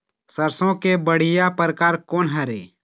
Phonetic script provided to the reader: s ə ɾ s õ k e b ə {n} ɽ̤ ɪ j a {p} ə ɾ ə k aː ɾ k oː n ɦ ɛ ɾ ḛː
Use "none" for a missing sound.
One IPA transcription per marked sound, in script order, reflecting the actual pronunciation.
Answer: none, p

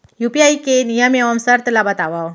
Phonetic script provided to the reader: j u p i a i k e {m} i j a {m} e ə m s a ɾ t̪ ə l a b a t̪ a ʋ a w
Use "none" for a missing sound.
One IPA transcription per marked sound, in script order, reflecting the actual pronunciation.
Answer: n, m

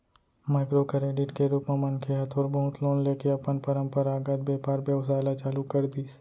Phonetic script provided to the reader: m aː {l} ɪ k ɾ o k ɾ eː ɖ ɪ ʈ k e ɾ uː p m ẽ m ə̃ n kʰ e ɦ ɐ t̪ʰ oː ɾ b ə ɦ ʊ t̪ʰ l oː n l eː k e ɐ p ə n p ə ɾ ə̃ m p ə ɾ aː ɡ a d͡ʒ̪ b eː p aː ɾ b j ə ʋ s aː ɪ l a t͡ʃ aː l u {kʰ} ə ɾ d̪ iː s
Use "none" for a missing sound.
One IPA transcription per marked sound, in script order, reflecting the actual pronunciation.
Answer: none, k

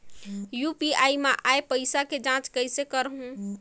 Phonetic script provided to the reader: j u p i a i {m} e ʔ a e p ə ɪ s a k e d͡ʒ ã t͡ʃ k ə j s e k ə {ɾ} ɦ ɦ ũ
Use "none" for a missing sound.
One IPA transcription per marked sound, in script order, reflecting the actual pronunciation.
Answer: m, ɾ

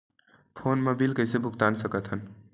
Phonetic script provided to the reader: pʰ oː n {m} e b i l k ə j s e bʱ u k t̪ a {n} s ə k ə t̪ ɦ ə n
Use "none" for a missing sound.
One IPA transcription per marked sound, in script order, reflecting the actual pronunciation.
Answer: m, n

